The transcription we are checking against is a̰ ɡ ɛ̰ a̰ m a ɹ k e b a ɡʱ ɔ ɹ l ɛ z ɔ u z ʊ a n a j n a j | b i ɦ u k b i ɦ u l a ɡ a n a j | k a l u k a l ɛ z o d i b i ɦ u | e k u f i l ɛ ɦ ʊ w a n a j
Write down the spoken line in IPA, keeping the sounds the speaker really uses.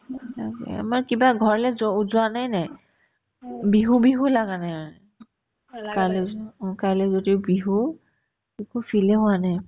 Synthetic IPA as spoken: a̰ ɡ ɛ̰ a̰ m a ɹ k i b a ɡʱ ɔ ɹ l ɛ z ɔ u z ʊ a n a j n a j | b i ɦ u b i ɦ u l a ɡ a n a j | k a l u k a l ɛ z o d i b i ɦ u | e k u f i l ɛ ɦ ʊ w a n a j